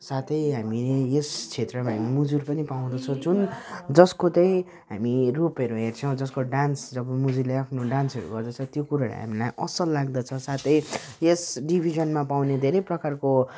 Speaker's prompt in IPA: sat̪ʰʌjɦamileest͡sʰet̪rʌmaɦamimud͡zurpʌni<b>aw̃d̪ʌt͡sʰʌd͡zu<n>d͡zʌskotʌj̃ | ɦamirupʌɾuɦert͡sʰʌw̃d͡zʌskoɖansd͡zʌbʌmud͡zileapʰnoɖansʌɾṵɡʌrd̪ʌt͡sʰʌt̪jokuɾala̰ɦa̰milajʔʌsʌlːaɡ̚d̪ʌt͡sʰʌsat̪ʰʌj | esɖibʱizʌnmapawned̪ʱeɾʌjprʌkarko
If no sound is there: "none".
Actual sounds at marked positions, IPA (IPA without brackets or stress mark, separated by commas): p, n